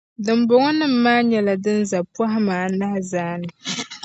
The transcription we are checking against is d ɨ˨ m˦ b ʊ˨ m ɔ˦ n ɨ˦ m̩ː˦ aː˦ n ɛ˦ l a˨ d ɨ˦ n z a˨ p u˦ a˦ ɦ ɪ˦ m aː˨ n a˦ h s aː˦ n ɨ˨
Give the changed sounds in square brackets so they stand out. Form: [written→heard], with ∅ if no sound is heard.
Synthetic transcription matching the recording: d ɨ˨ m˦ b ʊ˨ [m→ŋ] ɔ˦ n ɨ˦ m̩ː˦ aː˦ [n→ɲ] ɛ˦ l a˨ d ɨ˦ n z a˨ p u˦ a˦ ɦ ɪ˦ m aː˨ n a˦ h [s→z] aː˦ n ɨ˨